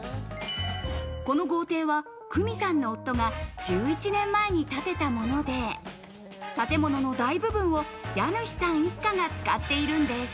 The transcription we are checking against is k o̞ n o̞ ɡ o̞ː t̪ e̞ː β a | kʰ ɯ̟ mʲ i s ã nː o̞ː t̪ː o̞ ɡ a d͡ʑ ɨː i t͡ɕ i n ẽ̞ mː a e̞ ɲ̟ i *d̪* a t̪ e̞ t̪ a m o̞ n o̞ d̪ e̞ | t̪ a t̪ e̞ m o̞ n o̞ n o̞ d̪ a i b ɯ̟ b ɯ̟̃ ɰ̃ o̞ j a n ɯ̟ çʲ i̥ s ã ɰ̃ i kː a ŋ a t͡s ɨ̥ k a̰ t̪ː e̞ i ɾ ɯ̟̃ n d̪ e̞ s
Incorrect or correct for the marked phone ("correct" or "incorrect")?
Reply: incorrect